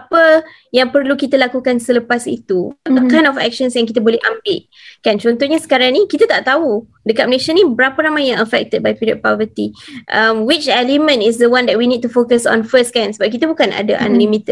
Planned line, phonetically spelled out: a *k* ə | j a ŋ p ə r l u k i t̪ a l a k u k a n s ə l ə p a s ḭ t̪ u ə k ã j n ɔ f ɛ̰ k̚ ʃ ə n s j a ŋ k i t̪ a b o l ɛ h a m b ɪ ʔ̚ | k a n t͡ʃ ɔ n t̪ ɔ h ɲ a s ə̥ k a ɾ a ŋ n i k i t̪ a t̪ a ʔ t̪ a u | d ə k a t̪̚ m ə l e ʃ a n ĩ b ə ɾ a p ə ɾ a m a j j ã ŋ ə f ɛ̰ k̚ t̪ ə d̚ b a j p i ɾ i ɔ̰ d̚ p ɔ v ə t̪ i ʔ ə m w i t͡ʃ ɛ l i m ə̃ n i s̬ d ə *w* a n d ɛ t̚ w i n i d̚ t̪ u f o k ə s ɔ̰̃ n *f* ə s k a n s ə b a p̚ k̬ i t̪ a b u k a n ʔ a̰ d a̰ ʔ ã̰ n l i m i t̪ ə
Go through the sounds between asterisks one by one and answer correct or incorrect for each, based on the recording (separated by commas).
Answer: incorrect, correct, correct